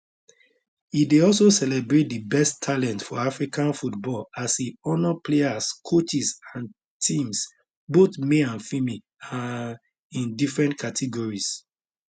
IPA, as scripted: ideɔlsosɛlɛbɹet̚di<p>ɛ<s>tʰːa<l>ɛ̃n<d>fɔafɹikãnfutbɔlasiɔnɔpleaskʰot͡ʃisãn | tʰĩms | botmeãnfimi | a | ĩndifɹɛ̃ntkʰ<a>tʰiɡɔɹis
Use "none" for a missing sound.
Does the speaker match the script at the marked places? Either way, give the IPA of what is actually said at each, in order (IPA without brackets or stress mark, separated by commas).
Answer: b, s, l, t, a